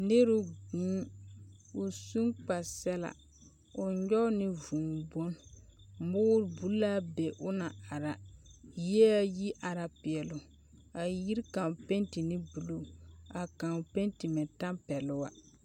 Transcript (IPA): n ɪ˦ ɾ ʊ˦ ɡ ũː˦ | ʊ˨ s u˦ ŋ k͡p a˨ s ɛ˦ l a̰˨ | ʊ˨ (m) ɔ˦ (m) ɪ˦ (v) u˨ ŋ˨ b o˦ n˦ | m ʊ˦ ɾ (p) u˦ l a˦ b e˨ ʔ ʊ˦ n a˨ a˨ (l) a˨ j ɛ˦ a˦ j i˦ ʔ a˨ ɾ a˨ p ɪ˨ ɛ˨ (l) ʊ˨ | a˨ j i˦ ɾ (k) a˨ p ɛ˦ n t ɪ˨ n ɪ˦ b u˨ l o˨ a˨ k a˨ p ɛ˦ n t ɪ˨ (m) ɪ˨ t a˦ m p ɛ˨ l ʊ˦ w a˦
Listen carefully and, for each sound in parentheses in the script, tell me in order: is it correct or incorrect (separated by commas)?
incorrect, incorrect, correct, incorrect, incorrect, correct, correct, correct